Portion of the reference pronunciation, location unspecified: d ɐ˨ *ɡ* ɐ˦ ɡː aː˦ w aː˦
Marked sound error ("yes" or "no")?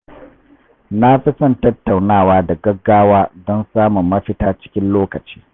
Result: no